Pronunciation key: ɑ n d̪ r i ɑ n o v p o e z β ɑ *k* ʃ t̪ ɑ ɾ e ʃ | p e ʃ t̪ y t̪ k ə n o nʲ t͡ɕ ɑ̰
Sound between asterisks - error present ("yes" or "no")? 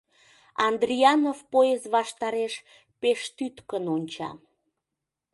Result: yes